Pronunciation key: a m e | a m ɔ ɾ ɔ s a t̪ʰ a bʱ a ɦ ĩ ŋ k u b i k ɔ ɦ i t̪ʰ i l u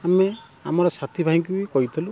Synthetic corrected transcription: a m e | a m ɔ ɾ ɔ s a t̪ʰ i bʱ a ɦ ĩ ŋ k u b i k ɔ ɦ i t̪ʰ i l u